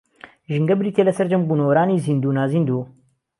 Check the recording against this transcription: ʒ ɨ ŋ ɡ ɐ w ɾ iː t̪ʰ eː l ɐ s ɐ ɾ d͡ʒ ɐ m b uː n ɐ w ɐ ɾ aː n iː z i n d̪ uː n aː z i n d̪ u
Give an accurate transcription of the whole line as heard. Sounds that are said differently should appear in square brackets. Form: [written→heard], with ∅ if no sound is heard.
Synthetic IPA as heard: ʒ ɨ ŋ ɡ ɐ [w→b] ɾ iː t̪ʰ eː l ɐ s ɐ ɾ d͡ʒ ɐ m b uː n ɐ w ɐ ɾ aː n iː z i n d̪ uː n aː z i n d̪ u